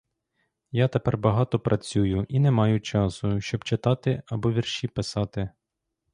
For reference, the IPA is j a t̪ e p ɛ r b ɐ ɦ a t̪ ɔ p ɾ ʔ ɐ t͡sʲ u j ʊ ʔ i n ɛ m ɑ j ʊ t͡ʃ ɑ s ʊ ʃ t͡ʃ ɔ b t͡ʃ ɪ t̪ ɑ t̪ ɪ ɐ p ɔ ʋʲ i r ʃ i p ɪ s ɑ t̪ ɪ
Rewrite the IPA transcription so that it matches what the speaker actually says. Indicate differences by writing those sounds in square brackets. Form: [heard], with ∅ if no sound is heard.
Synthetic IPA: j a t̪ e p ɛ r b ɐ ɦ [ɑ] t̪ ɔ p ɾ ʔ ɐ t͡sʲ u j ʊ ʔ i n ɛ m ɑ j ʊ t͡ʃ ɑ s ʊ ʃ t͡ʃ ɔ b t͡ʃ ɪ t̪ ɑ t̪ ɪ ɐ [b] ɔ ʋʲ i r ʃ i p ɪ s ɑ t̪ ɪ